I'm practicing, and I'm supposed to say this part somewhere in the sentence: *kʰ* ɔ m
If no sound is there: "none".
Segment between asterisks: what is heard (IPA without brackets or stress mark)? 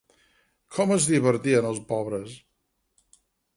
kʰ